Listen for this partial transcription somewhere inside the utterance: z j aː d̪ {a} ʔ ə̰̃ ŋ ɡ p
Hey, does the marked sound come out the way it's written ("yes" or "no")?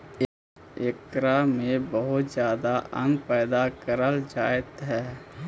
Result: yes